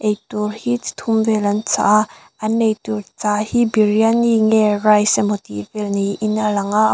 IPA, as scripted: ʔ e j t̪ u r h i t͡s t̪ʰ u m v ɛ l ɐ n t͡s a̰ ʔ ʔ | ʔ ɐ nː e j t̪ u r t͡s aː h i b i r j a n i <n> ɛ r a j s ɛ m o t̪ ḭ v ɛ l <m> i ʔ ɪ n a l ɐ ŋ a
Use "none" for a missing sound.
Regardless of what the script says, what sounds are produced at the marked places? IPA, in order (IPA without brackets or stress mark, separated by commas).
ŋ, n